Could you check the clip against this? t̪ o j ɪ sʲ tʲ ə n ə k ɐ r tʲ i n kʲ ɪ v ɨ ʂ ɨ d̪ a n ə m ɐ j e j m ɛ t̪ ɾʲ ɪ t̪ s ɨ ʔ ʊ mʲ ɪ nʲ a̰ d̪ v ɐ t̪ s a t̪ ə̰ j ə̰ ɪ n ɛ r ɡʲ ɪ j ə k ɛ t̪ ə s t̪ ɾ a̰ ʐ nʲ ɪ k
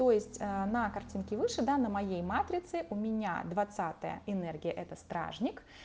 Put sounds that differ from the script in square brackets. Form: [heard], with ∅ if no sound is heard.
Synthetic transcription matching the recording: t̪ o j ɪ sʲ tʲ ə n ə k ɐ r tʲ i n kʲ ɪ v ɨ ʂ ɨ d̪ a n ə m ɐ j e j m [a] t̪ ɾʲ ɪ t̪ s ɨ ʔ ʊ mʲ ɪ nʲ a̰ d̪ v ɐ t̪ s a t̪ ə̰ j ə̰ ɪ n ɛ r ɡʲ ɪ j ə [ʔ] ɛ t̪ ə s t̪ ɾ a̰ ʐ nʲ ɪ k